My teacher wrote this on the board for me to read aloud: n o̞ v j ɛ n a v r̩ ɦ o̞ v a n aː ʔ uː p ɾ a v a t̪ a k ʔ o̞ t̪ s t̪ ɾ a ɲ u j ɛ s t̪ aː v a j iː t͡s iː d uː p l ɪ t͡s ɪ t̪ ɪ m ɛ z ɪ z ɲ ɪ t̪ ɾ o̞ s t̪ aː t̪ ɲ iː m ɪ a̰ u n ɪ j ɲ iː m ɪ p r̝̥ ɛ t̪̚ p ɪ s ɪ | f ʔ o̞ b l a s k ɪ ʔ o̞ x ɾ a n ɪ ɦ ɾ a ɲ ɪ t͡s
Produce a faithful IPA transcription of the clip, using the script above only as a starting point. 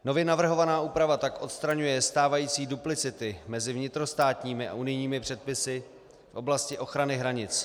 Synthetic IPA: n o̞ v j ɛ n a v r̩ ɦ o̞ v a n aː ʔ uː p ɾ a v a t̪ a k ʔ o̞ t̪ s t̪ ɾ a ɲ u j ɛ s t̪ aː v a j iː t͡s iː d u p l ɪ t͡s ɪ t̪ ɪ m ɛ z ɪ v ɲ ɪ t̪ ɾ o̞ s t̪ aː t̪ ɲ iː m ɪ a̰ u n ɪ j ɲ iː m ɪ p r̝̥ ɛ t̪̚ p ɪ s ɪ | f ʔ o̞ b l a s c ɪ ʔ o̞ x ɾ a n ɪ ɦ ɾ a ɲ ɪ t͡s